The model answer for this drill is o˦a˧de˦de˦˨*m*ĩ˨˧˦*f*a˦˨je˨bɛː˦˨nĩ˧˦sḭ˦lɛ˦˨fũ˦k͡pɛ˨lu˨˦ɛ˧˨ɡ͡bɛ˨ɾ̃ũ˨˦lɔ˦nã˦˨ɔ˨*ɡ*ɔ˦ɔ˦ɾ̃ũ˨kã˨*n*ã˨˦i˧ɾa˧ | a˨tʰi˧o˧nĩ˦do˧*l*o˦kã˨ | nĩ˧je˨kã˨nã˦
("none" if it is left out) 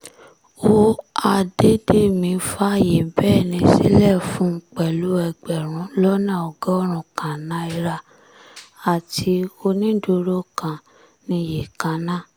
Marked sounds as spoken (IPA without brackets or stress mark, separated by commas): m, f, ɡ, n, ɾ